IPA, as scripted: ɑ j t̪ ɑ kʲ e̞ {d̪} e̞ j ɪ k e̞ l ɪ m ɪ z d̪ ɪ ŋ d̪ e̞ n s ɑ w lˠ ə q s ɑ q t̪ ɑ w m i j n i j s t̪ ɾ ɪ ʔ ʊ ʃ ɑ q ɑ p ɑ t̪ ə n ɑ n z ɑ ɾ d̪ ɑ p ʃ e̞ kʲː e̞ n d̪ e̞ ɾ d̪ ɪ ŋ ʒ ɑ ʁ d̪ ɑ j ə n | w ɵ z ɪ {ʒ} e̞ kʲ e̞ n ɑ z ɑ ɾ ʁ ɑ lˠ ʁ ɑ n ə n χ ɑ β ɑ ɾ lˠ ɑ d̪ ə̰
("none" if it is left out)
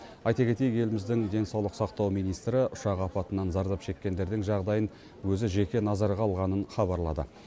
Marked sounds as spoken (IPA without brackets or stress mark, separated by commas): t̪, ʒ